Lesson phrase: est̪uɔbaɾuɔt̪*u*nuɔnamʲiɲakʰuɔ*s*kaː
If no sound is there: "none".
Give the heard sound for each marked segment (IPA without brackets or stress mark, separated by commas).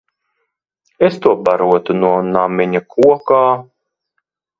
u, none